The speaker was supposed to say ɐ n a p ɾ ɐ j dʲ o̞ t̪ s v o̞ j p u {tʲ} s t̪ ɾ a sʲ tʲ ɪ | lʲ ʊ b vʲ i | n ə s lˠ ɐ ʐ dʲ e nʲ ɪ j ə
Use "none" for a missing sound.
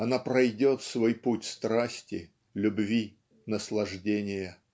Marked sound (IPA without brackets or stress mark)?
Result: tʲ